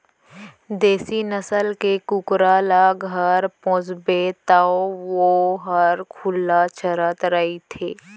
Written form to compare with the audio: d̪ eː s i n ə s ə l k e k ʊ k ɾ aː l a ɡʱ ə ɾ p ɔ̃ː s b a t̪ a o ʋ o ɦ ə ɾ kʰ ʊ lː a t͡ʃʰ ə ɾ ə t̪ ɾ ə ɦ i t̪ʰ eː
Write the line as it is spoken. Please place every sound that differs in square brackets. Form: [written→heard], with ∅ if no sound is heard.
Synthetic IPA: d̪ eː s i n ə s ə l k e k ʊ k ɾ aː l a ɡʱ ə ɾ p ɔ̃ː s b [a→e] t̪ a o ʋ o ɦ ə ɾ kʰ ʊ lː a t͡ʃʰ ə ɾ ə t̪ ɾ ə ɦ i t̪ʰ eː